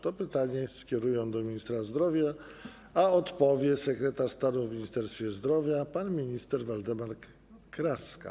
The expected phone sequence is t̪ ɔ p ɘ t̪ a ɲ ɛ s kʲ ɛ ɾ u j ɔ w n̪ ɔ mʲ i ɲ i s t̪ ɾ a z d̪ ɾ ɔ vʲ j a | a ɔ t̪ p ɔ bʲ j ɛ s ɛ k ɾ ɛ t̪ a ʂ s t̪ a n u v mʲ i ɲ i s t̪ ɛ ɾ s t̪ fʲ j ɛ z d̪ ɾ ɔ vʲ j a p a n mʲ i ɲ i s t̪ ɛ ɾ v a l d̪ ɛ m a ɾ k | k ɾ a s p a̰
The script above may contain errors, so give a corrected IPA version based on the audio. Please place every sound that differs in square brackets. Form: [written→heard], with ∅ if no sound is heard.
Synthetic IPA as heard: t̪ ɔ p ɘ t̪ a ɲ ɛ s kʲ ɛ ɾ u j ɔ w [n̪→d̪] ɔ mʲ i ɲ i s t̪ ɾ a z d̪ ɾ ɔ vʲ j a | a ɔ t̪ p ɔ [bʲ→vʲ] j ɛ s ɛ k ɾ ɛ t̪ a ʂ s t̪ a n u v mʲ i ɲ i s t̪ ɛ ɾ s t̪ fʲ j ɛ z d̪ ɾ ɔ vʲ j a p a n mʲ i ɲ i s t̪ ɛ ɾ v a l d̪ ɛ m a ɾ k | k ɾ a s [p→k] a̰